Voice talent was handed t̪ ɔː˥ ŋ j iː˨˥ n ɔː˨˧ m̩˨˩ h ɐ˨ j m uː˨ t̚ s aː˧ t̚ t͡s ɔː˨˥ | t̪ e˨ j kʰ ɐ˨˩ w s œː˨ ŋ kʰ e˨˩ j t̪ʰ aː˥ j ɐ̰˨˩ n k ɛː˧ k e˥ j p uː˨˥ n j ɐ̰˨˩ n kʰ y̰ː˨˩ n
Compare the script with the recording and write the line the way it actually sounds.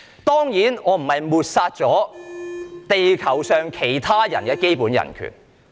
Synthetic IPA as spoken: t̪ ɔː˥ ŋ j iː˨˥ n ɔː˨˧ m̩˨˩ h ɐ˨ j m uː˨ t̚ s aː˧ t̚ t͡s ɔː˨˥ | t̪ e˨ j kʰ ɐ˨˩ w s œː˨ ŋ kʰ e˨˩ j t̪ʰ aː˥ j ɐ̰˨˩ n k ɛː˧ k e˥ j p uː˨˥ n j ɐ̰˨˩ n kʰ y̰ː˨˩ n